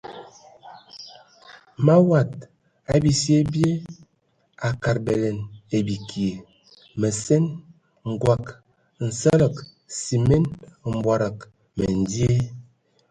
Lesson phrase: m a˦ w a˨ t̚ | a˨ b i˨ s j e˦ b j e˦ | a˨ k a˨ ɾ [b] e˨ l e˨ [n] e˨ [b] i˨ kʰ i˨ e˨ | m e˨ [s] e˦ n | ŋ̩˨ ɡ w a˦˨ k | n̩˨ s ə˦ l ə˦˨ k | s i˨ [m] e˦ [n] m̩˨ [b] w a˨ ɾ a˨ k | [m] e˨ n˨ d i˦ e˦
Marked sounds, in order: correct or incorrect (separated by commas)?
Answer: correct, correct, correct, correct, correct, correct, correct, correct